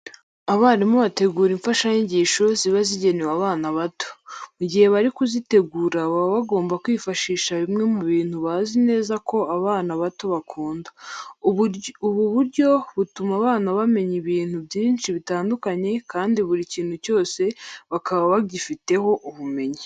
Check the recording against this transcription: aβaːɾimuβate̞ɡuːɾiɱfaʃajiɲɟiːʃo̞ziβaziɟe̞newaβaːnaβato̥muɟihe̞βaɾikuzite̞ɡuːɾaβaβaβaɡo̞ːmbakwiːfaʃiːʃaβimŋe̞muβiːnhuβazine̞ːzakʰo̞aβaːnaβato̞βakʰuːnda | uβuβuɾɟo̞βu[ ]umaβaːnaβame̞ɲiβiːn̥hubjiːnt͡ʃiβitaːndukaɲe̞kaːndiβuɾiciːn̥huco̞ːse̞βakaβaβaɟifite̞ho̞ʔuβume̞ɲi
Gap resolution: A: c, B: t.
B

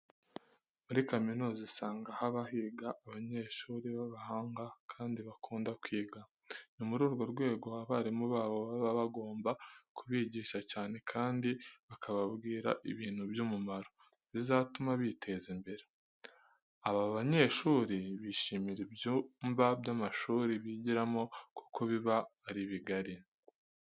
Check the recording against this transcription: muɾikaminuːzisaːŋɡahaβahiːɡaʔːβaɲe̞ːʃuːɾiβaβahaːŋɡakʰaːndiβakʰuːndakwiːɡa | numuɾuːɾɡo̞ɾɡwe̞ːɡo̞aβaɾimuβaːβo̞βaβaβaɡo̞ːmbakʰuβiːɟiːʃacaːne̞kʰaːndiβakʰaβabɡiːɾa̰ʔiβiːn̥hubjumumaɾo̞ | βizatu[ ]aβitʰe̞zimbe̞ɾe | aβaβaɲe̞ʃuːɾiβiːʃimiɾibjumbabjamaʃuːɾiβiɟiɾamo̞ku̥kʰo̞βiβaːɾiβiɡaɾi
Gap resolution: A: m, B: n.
A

